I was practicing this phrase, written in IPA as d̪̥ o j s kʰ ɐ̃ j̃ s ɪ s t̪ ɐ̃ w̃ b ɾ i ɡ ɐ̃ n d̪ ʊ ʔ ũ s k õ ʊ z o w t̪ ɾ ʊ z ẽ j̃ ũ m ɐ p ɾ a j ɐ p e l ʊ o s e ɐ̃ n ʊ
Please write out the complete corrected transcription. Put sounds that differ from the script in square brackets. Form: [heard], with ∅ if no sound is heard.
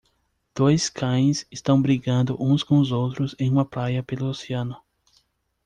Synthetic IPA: d̪̥ o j s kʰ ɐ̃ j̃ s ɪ s t̪ ɐ̃ w̃ b ɾ i ɡ ɐ̃ n d̪ ʊ ʔ ũ s k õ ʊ z o w t̪ ɾ ʊ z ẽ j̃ ũ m ɐ p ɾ a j ɐ p e l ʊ o s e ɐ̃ n ʊ